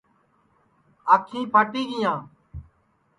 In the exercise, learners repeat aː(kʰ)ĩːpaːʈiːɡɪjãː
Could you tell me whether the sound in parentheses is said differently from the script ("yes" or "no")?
no